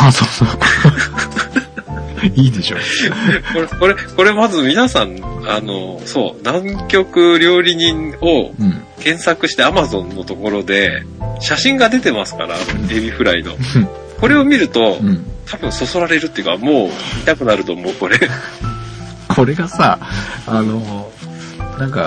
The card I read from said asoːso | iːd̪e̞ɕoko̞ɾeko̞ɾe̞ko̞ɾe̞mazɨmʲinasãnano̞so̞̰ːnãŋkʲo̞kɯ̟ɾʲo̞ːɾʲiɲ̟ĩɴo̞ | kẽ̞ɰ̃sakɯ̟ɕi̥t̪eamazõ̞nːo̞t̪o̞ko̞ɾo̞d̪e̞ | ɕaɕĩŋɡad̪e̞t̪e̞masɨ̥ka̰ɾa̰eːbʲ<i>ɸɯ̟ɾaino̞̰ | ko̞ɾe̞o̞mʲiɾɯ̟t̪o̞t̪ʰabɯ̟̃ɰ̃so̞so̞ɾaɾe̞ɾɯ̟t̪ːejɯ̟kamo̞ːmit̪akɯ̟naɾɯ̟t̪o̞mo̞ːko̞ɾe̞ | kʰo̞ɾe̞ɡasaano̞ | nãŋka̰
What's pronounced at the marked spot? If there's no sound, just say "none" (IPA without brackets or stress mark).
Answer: i